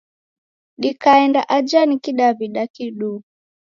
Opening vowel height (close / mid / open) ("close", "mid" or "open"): close